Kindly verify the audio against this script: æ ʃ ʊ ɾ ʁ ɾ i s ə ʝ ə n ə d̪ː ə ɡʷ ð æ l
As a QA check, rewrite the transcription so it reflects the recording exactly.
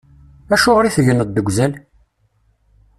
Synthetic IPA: æ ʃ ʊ ʁ ɾ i θ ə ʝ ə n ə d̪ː ə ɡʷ z æ l